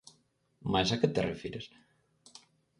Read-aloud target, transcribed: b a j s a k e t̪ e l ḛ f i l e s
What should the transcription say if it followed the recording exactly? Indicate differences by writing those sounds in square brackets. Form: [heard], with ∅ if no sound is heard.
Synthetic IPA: [m] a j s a k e t̪ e [r] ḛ f i [ɾ] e s